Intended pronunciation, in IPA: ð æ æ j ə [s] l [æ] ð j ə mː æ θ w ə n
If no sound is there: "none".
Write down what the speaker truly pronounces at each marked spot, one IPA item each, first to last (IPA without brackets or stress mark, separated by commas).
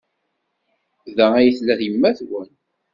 θ, æ